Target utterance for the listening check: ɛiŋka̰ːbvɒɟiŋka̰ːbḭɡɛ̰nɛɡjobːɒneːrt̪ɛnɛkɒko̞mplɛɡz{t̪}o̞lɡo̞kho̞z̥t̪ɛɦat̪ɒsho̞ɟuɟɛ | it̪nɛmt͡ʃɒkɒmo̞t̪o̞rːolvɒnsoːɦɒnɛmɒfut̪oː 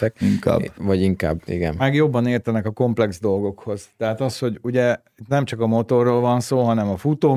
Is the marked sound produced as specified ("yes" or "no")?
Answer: no